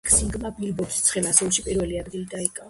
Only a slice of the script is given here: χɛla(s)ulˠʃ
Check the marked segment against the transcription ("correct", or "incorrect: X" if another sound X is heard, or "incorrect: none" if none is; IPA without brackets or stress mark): correct